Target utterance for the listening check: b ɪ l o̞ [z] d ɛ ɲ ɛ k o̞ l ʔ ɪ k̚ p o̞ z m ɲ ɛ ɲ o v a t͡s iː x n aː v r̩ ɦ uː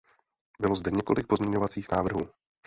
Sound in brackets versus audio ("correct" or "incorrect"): correct